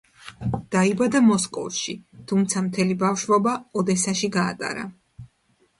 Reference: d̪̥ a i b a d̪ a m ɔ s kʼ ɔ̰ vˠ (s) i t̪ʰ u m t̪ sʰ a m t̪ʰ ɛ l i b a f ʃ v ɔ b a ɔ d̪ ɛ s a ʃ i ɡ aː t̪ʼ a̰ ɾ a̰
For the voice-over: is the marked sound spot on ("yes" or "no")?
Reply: no